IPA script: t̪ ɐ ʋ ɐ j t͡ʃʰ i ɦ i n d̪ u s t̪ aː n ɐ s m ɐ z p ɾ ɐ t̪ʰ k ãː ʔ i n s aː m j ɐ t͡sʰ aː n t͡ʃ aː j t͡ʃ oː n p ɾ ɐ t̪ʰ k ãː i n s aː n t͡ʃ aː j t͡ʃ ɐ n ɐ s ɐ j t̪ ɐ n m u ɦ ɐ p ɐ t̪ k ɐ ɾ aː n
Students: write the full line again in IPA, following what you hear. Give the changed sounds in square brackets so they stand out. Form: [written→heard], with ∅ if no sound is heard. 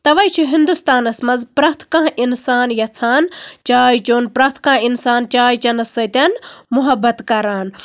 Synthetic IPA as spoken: t̪ ɐ ʋ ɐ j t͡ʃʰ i ɦ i n d̪ u s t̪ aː n ɐ s m ɐ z p ɾ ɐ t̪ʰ k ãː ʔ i n s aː [m→n] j ɐ t͡sʰ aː n t͡ʃ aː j t͡ʃ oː n p ɾ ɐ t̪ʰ k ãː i n s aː n t͡ʃ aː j t͡ʃ ɐ n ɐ s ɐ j t̪ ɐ n m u ɦ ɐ [p→b] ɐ t̪ k ɐ ɾ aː n